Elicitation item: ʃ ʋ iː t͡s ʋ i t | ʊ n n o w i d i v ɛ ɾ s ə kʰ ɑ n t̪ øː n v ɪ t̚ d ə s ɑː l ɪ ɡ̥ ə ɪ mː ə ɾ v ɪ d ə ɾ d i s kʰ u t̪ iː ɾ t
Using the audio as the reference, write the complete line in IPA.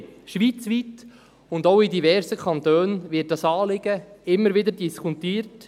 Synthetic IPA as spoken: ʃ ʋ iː t͡s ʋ i t | ʊ n d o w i d i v ɛ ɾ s ə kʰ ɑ n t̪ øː n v ɪ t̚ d ɑ s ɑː l ɪ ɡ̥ ə ɪ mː ə ɾ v ɪ d ə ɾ d i s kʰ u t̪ iː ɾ t